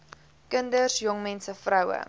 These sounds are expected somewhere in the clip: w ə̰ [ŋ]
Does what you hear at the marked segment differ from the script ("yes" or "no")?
yes